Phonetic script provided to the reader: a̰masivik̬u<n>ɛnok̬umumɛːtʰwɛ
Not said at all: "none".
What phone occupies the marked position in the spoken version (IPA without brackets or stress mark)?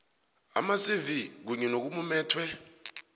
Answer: ɲ